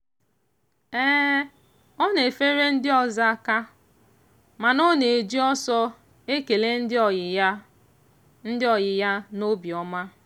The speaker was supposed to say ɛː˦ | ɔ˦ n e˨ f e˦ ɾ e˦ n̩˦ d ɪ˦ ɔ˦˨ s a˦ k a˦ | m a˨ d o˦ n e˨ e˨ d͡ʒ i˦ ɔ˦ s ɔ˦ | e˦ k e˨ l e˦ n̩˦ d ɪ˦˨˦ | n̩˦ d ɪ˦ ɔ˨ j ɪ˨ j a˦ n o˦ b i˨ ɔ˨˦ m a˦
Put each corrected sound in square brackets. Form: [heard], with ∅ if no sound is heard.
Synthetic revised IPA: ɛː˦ | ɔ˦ n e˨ f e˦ ɾ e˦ n̩˦ d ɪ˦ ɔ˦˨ [z] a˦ k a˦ | m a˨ [n] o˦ n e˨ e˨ d͡ʒ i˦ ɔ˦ s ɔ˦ | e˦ k e˨ l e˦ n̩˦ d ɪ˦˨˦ | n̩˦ d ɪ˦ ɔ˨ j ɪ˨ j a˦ n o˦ b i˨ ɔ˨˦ m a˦